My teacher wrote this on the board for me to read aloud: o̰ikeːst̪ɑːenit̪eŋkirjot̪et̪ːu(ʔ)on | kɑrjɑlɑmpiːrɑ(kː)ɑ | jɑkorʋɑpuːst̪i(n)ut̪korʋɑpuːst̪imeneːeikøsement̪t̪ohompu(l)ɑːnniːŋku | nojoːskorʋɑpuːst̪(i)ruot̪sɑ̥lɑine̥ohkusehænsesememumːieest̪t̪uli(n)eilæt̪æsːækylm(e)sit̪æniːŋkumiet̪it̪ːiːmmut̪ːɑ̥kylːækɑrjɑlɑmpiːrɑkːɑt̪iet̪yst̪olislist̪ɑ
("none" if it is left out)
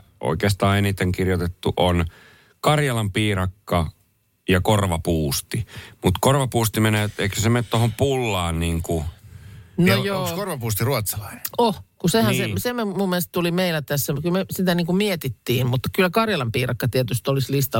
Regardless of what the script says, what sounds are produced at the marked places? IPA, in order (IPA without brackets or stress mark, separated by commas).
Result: ʔ, kː, m, lː, i, m, e